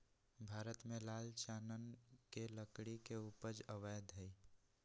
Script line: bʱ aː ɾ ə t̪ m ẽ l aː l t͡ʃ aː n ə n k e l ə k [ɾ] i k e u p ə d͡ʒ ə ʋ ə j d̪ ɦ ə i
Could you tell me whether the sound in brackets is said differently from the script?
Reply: yes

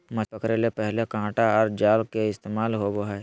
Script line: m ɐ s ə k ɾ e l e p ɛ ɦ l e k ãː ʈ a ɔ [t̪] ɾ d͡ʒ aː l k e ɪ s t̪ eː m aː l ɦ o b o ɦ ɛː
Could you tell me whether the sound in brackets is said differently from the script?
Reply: yes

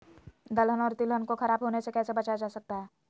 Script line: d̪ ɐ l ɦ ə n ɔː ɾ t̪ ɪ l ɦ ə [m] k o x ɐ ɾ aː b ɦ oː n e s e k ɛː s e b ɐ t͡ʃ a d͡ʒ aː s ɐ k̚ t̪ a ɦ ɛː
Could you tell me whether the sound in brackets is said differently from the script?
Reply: yes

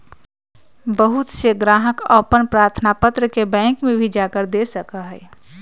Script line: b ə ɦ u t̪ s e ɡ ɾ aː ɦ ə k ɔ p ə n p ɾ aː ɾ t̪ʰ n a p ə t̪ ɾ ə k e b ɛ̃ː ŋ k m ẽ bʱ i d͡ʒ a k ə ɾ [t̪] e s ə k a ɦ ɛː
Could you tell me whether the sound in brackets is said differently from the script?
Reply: yes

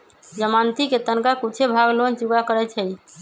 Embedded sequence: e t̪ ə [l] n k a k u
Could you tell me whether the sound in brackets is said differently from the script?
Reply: yes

